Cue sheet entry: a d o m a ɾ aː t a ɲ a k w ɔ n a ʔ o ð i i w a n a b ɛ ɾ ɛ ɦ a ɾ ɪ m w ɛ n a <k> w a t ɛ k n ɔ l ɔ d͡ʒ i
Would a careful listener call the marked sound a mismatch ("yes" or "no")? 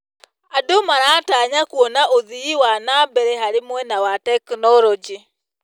yes